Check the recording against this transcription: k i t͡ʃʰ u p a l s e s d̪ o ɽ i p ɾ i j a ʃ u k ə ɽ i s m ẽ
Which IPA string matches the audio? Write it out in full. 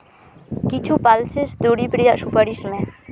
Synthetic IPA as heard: k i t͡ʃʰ u p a l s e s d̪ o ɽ i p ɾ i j a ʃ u p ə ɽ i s m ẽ